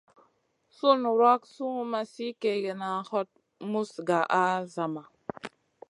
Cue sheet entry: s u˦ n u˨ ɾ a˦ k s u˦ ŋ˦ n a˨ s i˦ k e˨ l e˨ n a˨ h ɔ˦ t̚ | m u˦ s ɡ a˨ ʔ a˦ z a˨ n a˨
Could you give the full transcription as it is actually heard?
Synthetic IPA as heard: s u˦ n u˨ ɾ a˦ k s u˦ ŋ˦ m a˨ s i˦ k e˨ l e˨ n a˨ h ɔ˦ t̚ | m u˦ s ɡ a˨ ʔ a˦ z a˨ m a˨

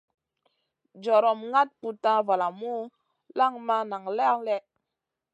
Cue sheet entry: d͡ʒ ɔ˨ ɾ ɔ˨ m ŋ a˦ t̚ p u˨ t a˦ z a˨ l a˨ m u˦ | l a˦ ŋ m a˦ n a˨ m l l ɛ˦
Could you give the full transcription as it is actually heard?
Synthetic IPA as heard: d͡ʒ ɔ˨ ɾ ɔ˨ m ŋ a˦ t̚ p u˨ t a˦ v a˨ l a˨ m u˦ | l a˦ ŋ m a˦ n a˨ ŋ l l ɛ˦

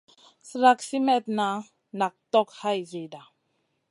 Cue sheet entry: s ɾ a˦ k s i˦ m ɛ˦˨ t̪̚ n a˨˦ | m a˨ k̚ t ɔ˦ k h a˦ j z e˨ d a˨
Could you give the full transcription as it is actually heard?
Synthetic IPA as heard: s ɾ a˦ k s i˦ m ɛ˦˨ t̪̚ n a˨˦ | n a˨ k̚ t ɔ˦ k h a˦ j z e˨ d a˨

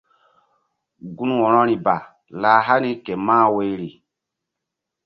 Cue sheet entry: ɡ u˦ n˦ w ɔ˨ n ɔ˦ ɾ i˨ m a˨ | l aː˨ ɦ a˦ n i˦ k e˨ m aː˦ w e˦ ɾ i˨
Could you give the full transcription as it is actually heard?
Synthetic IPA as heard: ɡ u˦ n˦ w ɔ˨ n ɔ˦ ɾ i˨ b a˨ | l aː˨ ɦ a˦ n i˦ k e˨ m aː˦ w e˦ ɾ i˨

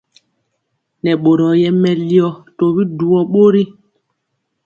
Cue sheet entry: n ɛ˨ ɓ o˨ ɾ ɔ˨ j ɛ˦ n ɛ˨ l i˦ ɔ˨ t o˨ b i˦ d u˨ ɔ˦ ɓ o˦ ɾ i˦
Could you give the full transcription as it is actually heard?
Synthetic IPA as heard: n ɛ˨ ɓ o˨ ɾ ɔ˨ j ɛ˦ m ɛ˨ l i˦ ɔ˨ t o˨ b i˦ d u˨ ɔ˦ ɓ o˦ ɾ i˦

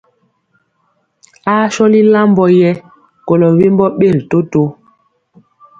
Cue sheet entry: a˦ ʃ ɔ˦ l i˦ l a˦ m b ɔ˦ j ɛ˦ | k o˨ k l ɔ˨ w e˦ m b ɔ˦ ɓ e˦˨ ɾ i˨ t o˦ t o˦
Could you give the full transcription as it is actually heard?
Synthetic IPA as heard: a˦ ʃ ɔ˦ l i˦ l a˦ m b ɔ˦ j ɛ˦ | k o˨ l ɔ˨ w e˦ m b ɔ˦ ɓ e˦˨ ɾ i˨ t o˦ t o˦

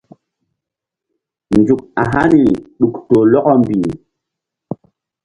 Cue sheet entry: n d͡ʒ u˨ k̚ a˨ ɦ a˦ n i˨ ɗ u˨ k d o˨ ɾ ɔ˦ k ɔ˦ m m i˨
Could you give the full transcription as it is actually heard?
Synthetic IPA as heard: n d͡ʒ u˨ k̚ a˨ ɦ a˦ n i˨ ɗ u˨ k t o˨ l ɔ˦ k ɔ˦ m b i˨

